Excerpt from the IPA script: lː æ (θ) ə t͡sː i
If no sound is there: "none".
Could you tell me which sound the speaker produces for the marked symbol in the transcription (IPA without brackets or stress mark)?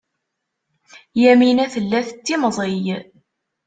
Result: θ